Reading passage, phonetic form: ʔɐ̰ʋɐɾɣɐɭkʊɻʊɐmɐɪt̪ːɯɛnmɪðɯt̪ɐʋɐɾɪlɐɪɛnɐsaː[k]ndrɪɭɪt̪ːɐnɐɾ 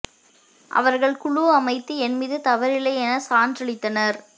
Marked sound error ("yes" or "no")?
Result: yes